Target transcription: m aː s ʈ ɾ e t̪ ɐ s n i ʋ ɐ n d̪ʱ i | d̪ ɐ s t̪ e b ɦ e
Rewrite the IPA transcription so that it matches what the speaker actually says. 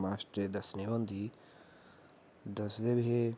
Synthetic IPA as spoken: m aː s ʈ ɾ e d̪ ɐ s n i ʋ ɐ n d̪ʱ i | d̪ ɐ s d̪ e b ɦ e